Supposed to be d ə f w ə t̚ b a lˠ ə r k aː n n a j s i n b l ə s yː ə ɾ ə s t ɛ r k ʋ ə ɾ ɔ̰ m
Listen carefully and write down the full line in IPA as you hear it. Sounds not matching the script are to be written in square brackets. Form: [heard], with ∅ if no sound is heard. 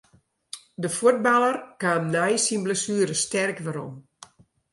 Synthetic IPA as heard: d ə f [u] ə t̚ b a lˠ ə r k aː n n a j s i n b l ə s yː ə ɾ ə s t ɛ r k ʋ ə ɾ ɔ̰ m